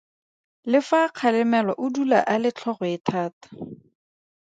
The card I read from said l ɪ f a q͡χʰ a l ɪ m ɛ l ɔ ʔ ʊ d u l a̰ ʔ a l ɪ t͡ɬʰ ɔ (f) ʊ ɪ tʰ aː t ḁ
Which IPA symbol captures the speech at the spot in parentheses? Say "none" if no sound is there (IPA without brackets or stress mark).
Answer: χ